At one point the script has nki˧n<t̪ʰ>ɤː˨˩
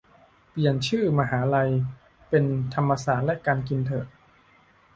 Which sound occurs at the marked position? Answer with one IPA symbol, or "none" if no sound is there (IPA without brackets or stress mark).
t̪ʰ